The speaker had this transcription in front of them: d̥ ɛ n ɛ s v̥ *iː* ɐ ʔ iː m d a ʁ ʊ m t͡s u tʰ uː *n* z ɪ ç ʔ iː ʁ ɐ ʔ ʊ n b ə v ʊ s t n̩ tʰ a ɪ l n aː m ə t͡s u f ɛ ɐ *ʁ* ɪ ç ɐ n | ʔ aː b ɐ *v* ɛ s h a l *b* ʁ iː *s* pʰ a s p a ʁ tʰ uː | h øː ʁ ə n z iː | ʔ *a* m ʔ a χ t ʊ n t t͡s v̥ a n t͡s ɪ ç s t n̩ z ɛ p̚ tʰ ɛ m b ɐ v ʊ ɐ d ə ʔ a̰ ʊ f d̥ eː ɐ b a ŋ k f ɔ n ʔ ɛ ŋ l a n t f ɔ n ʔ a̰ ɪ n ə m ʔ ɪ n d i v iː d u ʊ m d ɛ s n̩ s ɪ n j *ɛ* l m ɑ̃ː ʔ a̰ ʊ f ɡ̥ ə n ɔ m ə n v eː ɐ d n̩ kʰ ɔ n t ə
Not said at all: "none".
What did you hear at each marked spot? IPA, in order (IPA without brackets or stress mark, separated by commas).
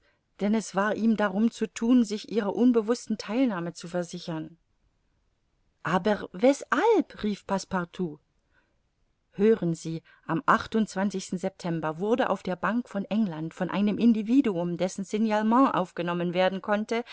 aː, n, z, v, p, f, a, a